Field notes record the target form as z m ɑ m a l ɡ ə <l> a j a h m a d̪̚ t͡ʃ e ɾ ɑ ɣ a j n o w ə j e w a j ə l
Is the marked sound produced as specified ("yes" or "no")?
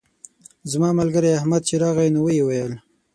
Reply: no